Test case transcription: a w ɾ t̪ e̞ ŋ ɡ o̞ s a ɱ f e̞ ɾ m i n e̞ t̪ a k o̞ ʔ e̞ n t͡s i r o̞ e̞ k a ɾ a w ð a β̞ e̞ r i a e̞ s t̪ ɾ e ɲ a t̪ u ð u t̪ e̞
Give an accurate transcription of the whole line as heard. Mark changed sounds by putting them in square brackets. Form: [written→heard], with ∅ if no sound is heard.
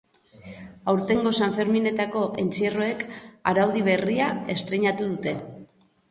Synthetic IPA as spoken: a w ɾ t̪ e̞ ŋ ɡ o̞ s a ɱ f e̞ ɾ m i n e̞ t̪ a k o̞ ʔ e̞ n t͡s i r o̞ e̞ k a ɾ a w ð [a→i] β̞ e̞ r i a e̞ s t̪ ɾ e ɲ a t̪ u ð u t̪ e̞